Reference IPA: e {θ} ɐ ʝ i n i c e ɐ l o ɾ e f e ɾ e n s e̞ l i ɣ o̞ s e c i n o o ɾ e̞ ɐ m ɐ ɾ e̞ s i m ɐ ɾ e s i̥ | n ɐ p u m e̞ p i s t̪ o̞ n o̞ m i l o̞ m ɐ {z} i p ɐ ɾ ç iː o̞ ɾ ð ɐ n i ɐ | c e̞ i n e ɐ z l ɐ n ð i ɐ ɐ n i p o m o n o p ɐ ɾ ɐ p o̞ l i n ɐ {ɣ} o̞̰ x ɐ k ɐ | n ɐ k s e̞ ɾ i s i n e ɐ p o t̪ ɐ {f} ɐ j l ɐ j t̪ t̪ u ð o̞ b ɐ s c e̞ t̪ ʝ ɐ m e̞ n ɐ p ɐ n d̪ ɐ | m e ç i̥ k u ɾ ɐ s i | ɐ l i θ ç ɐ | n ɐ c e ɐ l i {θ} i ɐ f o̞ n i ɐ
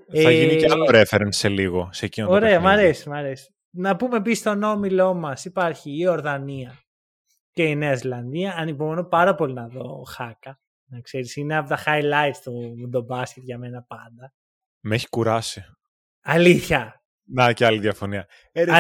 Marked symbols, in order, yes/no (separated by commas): yes, no, no, no, no